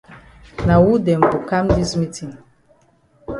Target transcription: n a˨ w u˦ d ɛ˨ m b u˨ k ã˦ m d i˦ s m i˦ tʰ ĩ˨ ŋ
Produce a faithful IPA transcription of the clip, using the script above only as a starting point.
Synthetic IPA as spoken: n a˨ w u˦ d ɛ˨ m b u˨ k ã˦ m d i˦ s m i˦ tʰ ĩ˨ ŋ